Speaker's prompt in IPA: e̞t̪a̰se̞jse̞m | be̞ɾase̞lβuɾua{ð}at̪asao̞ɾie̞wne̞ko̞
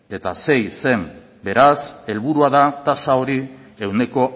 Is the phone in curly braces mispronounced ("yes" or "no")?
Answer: no